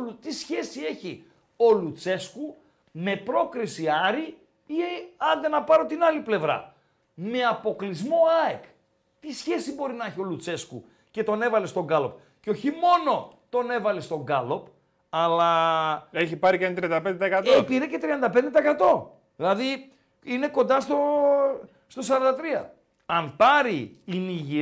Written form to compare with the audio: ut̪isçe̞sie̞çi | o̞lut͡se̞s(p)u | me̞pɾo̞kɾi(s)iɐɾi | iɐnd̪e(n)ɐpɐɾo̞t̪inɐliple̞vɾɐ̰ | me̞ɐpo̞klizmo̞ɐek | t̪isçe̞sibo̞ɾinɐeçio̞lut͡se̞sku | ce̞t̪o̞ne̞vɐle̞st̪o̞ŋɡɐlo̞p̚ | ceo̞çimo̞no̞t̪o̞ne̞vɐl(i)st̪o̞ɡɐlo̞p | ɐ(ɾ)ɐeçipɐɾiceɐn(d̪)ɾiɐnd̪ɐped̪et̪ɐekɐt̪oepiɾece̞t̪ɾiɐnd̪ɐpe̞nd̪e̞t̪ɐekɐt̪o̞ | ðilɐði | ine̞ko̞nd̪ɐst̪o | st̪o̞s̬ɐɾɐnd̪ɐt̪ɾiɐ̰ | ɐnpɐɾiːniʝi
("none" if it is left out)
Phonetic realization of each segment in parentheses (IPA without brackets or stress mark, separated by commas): k, s, n, e, l, t̪